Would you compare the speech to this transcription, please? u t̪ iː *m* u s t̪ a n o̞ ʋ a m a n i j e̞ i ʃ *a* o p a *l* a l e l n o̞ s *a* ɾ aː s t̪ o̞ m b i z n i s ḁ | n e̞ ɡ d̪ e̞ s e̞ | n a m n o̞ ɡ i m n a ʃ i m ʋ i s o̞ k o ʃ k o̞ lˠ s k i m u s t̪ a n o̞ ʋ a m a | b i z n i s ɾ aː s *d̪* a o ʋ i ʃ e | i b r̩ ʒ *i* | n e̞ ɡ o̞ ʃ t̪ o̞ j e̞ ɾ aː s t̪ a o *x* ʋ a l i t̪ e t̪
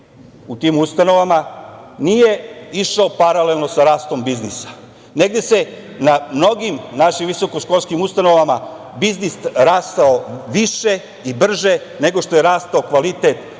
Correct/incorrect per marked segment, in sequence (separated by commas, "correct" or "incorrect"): correct, correct, incorrect, correct, incorrect, incorrect, incorrect